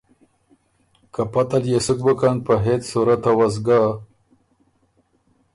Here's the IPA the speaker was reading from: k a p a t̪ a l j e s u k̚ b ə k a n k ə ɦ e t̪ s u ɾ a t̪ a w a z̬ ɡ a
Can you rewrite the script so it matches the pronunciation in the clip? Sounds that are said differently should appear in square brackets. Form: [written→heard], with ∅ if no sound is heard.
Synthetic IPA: k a p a t̪ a l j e s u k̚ b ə k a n [k→p] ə ɦ e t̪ s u ɾ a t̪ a w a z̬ ɡ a